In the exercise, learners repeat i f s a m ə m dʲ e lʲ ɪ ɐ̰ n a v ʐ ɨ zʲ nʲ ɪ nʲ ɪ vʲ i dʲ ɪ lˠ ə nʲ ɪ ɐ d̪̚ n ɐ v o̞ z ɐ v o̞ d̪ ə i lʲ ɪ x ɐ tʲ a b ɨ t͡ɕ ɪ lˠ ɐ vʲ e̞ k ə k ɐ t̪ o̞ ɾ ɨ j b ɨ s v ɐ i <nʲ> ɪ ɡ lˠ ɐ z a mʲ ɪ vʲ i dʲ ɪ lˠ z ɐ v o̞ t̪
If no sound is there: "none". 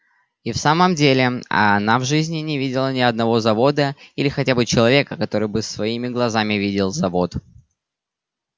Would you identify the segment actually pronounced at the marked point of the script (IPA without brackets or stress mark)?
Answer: mʲ